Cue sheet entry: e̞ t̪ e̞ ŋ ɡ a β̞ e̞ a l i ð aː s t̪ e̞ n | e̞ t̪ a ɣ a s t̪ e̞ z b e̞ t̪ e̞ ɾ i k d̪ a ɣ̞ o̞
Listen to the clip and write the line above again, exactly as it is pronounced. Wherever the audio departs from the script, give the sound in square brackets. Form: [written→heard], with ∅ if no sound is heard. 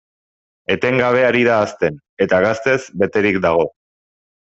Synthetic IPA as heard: e̞ t̪ e̞ ŋ ɡ a β̞ e̞ a [l→ɾ] i ð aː s t̪ e̞ n | e̞ t̪ a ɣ a s t̪ e̞ z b e̞ t̪ e̞ ɾ i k d̪ a ɣ̞ o̞